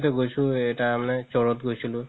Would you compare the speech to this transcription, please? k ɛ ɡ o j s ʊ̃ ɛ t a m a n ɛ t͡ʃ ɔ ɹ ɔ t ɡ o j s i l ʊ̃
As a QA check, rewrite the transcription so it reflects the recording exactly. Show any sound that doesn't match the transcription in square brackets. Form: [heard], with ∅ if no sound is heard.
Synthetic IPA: [t] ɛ ɡ o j s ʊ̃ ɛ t a m a n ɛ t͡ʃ ɔ ɹ ɔ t ɡ o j s i l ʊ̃